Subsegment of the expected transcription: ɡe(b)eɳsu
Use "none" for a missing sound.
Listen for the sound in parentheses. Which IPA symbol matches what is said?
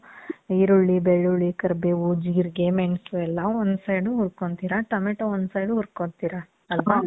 m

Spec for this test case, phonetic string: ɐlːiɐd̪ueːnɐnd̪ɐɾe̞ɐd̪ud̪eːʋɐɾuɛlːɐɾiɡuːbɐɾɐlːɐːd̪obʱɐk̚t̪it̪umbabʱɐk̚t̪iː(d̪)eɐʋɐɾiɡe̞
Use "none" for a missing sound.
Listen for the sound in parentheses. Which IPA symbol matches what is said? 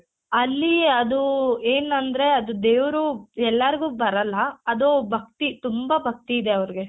d̪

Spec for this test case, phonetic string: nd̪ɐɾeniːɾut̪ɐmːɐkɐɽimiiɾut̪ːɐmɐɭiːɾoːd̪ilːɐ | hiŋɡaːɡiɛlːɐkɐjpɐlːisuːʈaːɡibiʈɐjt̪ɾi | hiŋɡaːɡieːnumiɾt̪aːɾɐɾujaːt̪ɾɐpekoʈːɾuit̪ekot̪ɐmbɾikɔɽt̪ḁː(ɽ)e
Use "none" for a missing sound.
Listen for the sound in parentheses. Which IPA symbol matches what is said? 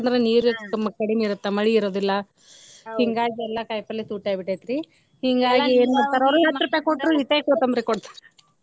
ɾ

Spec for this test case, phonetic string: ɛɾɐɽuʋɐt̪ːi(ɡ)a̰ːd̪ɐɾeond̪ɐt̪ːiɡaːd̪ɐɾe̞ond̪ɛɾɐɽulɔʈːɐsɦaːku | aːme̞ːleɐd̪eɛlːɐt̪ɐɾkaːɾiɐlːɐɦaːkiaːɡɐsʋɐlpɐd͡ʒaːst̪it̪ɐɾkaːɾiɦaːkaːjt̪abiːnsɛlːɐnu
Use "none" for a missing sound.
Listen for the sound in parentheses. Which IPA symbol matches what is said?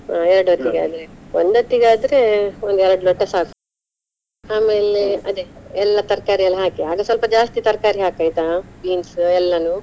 ɡ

